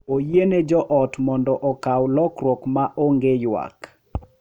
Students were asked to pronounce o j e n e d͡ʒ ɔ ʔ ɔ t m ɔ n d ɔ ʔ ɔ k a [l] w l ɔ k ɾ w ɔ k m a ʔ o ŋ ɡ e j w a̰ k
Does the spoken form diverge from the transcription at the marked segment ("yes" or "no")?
yes